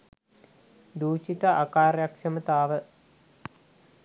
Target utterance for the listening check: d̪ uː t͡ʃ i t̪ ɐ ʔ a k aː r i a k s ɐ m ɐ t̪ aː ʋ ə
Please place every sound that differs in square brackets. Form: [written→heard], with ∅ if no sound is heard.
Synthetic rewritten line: d̪ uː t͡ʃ i t̪ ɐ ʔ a k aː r [i→j] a k [s→ʂ] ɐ m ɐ t̪ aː ʋ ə

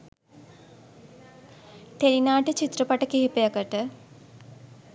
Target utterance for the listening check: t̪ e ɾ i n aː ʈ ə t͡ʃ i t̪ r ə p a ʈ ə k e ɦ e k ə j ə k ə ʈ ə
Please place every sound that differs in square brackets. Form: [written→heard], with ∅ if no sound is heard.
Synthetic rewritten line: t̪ e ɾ i n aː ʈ ə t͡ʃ i t̪ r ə p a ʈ ə k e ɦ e [k→p] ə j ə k ə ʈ ə

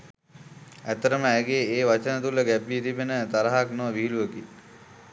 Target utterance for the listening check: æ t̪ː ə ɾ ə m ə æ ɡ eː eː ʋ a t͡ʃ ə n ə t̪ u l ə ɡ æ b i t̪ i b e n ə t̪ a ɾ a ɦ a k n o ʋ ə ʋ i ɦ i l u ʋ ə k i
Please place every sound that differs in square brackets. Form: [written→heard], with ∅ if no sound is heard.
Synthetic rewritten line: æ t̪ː ə ɾ ə m ə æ ɡ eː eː ʋ a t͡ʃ ə n ə t̪ u l ə ɡ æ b i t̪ i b e n ə t̪ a ɾ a ɦ a k n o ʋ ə ʋ i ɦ i l u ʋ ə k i

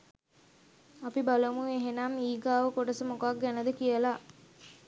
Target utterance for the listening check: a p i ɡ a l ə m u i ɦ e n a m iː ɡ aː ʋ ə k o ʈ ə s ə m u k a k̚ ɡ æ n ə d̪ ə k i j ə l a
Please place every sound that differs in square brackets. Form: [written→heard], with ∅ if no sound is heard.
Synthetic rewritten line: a p i [ɡ→b] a l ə m u [i→e] ɦ e n a m iː ɡ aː ʋ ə k o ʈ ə s ə m [u→o] k a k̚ ɡ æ n ə d̪ ə k i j ə l a

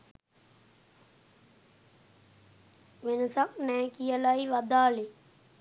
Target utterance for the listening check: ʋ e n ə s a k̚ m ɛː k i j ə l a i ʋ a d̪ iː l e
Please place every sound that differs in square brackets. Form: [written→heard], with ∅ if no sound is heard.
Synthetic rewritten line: ʋ e n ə s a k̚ [m→n] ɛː k i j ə l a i ʋ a d̪ [iː→aː] l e

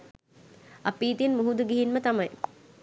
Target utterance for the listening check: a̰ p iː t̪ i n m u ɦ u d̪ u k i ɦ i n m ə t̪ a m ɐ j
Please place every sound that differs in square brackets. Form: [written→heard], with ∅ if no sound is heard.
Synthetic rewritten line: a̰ p iː t̪ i n m u ɦ u d̪ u [k→ɡ] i ɦ i n m ə t̪ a m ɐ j

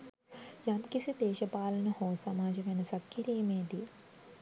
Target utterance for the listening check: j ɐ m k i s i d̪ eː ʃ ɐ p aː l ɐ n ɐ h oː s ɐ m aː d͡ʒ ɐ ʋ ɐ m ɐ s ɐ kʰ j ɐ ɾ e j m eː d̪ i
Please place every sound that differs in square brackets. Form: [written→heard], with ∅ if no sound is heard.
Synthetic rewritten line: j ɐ m k i s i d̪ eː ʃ ɐ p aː l ɐ n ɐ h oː s ɐ m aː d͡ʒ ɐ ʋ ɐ [m→n] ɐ s ɐ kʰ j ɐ ɾ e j m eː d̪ i

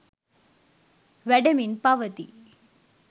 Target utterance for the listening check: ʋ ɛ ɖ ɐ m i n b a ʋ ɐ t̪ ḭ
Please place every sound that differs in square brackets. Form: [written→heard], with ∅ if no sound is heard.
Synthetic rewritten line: ʋ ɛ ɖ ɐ m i n [b→p] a ʋ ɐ t̪ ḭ

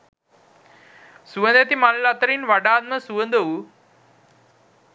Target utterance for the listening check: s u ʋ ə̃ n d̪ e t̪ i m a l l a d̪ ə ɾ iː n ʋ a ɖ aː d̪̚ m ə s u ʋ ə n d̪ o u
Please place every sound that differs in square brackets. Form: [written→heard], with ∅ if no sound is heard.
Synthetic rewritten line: s u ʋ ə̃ n d̪ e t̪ i m a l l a [d̪→t̪] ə ɾ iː n ʋ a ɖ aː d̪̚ m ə s u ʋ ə n d̪ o u

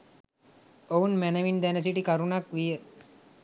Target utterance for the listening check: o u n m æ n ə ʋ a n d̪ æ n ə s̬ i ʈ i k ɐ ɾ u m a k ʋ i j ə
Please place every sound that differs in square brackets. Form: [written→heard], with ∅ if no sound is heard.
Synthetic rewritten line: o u n m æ n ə ʋ [a→i] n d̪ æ n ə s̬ i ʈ i k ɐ ɾ u [m→n] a k ʋ i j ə

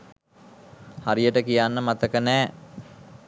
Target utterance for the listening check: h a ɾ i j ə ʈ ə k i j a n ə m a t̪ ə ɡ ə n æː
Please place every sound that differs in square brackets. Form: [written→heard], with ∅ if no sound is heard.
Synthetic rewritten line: h a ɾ i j ə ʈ ə k i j a [n→nː] ə m a t̪ ə [ɡ→k] ə n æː

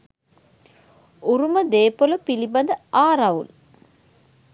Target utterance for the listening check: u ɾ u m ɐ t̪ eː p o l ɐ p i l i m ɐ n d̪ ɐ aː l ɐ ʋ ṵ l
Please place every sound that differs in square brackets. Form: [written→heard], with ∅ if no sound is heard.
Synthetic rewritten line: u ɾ u m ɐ [t̪→d̪] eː p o l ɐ p i l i [m→b] ɐ n d̪ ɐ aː [l→ɾ] ɐ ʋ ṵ l

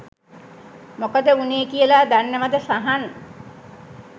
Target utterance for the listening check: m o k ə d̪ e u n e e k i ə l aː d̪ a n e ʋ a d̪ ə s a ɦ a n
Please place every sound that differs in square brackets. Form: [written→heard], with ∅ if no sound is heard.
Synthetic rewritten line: m o k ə d̪ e u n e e k i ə l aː d̪ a [n→nː] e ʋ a d̪ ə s a ɦ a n

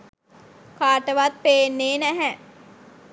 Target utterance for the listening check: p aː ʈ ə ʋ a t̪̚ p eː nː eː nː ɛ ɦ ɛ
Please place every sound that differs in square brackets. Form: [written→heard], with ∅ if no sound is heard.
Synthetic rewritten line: [p→k] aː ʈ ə ʋ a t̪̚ p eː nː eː [nː→n] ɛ ɦ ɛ

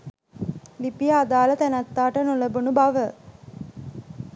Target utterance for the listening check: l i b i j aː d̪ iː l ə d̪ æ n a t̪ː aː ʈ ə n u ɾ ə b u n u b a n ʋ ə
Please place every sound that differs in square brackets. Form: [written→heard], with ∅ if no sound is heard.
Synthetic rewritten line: l i [b→p] i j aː d̪ [iː→aː] l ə [d̪→t̪] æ n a t̪ː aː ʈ ə n u [ɾ→l] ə b u n u b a [n→∅] ʋ ə

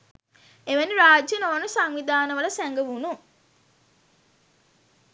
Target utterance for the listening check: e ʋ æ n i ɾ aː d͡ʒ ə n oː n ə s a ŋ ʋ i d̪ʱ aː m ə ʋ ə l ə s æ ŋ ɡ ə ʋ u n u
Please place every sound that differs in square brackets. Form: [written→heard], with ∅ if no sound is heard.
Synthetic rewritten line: e ʋ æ n i ɾ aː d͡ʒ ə n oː n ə s a ŋ ʋ i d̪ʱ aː [m→n] ə ʋ ə l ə s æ ŋ ɡ ə ʋ u n u

